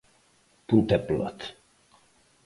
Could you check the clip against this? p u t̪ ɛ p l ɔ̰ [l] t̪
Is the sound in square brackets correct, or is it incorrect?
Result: incorrect